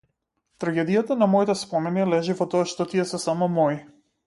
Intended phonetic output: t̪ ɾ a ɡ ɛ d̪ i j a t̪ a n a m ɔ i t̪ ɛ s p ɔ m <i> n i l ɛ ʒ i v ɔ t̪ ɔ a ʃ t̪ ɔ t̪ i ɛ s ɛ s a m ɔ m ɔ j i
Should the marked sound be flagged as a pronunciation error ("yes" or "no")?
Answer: yes